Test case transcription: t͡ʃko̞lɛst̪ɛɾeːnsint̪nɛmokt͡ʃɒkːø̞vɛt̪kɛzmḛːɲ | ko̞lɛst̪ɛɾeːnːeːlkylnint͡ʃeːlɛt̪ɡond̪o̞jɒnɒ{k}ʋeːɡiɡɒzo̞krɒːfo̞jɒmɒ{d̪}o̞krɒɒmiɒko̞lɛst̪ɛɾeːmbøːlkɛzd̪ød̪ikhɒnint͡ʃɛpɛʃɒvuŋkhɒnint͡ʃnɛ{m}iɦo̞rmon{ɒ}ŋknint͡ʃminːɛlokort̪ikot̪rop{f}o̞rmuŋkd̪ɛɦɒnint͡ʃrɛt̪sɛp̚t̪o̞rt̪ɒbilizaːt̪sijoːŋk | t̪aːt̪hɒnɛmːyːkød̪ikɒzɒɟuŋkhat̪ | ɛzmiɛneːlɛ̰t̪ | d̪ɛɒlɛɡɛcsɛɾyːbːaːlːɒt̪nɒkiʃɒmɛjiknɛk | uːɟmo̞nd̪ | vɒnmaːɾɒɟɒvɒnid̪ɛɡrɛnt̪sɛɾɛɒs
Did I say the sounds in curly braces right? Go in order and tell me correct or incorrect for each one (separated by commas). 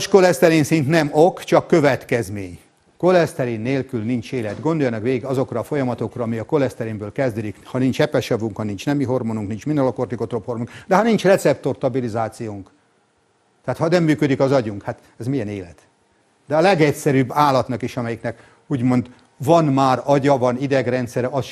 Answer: correct, incorrect, correct, incorrect, incorrect